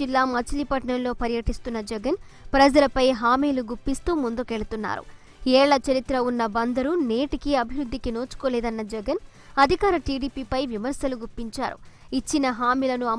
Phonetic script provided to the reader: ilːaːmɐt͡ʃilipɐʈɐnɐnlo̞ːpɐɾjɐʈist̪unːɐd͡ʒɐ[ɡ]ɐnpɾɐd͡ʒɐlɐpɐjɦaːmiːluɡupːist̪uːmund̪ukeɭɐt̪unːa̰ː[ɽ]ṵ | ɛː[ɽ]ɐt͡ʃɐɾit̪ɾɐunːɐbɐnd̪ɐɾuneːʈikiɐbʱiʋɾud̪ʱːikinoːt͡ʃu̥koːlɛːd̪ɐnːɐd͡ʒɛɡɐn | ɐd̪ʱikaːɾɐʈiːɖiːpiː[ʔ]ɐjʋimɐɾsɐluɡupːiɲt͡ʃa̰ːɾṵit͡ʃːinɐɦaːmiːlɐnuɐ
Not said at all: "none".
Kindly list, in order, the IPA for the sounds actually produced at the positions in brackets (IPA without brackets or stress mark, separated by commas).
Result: ɡ, ɾ, ɭ, p